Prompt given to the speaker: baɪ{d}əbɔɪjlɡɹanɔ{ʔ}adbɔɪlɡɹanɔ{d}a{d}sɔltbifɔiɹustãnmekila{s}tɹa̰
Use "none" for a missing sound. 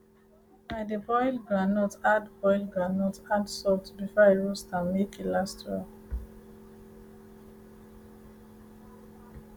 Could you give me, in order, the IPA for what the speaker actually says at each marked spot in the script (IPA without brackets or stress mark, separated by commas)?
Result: d, t, t, d, s